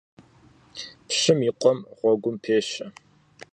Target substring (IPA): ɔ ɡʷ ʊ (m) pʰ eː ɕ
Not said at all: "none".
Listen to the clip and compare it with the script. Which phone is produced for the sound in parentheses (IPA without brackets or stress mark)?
m